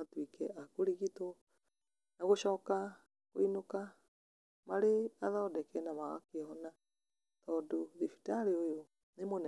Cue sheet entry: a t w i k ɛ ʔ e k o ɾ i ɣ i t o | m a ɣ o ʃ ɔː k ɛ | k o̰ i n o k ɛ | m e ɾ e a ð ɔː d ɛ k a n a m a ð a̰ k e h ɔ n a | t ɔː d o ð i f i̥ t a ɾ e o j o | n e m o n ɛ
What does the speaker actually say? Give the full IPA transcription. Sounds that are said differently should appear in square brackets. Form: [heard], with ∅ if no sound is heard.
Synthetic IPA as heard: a t w i k ɛ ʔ [a] k o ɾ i ɣ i t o | [n] a ɣ o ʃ ɔː k [a] | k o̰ i n o k [a] | m [a] ɾ e a ð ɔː d ɛ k [ɛ] n a m a [ɣ] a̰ k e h ɔ n a | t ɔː d o ð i f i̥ t a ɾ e o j o | n e m o n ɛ